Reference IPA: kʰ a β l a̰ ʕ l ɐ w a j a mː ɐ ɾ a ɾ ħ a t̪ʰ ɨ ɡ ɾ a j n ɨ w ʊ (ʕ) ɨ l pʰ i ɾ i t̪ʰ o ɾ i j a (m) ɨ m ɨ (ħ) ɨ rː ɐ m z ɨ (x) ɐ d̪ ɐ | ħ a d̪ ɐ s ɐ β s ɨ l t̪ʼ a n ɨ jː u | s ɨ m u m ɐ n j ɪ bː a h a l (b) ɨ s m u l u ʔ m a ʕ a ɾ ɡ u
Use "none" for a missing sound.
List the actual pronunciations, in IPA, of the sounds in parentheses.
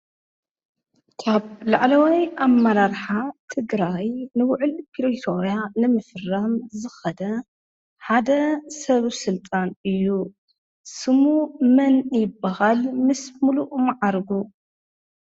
ʕ, n, f, x, m

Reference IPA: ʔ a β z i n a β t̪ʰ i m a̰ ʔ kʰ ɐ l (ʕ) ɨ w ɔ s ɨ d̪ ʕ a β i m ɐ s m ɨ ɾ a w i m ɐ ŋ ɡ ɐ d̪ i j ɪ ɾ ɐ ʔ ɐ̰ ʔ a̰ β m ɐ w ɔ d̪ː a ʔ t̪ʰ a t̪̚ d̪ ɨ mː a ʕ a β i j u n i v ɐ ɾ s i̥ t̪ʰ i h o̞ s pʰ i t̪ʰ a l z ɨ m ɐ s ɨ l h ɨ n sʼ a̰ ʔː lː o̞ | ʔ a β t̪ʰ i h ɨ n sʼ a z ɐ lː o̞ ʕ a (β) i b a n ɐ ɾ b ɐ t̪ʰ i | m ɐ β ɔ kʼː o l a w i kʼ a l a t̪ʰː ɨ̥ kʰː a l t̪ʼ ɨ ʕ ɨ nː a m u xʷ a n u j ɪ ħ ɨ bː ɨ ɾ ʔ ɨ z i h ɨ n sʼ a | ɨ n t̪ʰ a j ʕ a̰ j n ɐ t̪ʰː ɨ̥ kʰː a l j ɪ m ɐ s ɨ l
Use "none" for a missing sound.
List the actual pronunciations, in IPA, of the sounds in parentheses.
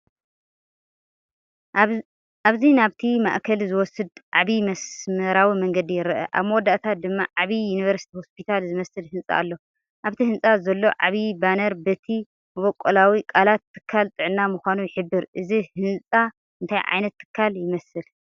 z, β

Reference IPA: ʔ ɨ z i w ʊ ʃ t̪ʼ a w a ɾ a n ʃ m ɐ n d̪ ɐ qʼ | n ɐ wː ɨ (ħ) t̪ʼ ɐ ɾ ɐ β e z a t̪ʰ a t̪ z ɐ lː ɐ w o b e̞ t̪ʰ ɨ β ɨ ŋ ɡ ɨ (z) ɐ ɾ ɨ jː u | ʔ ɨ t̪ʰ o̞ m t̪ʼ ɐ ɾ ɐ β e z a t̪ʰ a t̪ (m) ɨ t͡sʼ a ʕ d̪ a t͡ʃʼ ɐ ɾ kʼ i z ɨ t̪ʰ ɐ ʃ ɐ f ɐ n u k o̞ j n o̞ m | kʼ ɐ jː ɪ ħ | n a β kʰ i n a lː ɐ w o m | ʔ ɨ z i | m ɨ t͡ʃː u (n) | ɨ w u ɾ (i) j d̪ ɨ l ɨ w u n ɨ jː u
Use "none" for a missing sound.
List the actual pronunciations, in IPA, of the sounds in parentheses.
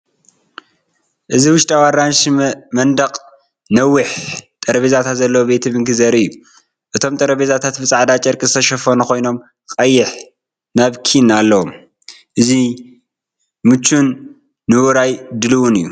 ħ, z, b, nː, a

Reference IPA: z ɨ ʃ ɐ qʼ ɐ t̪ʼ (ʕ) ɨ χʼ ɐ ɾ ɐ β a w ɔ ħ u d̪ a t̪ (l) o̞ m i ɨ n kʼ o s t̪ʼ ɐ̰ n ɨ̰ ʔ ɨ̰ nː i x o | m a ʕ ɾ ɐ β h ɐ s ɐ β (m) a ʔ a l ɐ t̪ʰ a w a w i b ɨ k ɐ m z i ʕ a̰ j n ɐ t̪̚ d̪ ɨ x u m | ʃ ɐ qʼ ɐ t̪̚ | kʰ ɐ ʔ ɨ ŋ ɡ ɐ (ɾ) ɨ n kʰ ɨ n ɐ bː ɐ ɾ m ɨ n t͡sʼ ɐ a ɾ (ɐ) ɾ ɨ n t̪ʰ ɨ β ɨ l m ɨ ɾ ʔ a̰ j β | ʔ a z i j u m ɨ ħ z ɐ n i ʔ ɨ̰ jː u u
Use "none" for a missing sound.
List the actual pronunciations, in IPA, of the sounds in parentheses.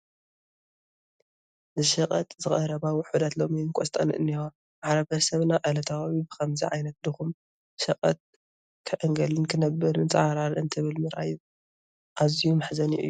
z, l, n, l, a

